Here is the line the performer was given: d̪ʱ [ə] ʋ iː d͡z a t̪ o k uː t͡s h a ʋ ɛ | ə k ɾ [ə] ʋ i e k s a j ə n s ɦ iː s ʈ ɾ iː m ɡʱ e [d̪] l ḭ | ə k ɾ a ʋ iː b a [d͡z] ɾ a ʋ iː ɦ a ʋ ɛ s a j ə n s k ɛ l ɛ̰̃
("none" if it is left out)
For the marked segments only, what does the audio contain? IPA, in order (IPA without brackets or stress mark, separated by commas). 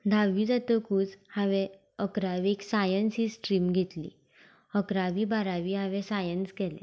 a, a, t̪, none